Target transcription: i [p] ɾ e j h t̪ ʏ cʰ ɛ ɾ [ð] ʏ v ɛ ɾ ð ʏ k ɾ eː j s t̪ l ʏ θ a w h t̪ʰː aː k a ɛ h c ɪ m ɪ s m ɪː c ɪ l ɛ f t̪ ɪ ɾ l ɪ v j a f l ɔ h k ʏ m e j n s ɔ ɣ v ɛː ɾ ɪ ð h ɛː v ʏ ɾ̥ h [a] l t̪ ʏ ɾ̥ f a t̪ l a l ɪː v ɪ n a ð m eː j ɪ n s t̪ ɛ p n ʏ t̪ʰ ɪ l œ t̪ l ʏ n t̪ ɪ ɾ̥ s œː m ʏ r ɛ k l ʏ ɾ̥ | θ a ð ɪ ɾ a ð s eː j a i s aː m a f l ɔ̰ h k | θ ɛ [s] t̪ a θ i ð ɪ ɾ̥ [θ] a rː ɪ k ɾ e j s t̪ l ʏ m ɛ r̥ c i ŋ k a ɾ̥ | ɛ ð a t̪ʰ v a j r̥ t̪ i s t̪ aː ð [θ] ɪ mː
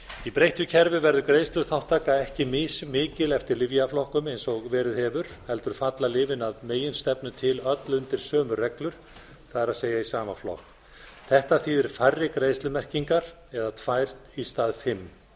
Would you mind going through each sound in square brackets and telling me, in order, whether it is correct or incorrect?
correct, incorrect, incorrect, incorrect, incorrect, incorrect

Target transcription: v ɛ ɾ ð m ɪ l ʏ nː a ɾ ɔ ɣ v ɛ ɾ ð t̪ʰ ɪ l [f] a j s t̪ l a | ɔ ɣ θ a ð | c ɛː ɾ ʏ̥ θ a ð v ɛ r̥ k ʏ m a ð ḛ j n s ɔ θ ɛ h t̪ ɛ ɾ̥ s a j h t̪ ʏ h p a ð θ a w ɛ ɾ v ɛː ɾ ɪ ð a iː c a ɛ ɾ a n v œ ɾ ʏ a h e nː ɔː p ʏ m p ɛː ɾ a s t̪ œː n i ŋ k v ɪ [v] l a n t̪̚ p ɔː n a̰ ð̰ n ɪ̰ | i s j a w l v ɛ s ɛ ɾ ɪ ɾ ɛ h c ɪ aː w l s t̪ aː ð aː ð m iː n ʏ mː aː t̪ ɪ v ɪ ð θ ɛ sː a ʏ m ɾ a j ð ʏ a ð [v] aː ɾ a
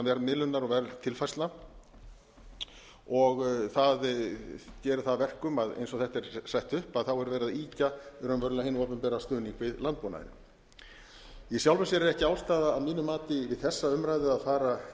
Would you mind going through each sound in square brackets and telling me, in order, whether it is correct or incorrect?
correct, incorrect, incorrect

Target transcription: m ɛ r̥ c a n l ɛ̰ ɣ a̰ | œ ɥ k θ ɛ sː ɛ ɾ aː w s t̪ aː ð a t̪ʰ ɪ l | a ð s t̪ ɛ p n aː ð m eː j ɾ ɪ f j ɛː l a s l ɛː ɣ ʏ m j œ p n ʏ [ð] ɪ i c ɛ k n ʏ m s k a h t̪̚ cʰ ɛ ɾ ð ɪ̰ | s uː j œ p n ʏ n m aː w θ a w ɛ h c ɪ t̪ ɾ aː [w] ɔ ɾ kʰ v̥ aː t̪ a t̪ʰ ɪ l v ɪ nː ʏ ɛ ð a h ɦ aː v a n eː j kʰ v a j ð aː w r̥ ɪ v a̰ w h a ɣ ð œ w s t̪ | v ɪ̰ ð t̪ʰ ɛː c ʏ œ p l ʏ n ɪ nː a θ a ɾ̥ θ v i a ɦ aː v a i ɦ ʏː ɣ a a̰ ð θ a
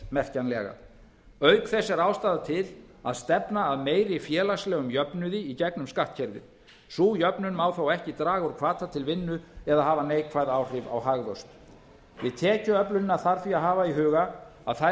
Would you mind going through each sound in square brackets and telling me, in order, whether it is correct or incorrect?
correct, incorrect

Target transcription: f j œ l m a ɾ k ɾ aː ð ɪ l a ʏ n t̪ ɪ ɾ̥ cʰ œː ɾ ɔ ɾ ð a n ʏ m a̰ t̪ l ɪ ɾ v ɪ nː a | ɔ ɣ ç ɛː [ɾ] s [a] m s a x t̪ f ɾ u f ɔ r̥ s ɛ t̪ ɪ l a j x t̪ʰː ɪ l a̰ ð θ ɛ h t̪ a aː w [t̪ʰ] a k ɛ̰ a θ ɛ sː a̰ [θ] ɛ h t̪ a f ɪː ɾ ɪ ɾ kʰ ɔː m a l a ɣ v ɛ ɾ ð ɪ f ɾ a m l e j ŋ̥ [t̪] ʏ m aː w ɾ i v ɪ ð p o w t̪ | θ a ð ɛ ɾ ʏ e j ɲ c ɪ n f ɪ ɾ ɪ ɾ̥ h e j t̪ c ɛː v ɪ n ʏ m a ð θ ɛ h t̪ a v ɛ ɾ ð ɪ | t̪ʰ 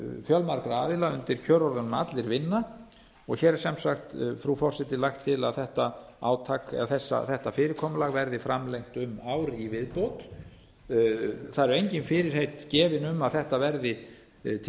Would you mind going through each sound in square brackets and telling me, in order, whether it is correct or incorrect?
correct, incorrect, correct, correct, correct

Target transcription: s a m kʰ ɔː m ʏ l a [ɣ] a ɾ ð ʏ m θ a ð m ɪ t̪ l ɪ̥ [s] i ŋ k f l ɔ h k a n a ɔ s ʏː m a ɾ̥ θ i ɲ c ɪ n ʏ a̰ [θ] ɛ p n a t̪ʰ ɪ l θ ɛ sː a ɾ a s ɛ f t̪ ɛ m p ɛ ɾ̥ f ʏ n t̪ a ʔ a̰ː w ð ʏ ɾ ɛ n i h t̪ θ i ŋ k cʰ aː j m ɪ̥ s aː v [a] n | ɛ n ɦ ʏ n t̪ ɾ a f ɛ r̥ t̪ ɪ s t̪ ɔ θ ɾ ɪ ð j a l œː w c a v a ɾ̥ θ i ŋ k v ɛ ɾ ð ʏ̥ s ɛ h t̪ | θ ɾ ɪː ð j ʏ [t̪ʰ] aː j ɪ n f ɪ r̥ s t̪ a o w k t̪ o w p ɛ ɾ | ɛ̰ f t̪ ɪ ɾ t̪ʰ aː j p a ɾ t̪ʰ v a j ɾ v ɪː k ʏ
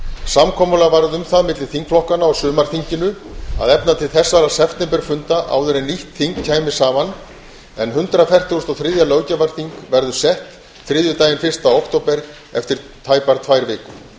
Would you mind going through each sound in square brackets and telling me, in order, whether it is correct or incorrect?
incorrect, incorrect, incorrect, correct, incorrect

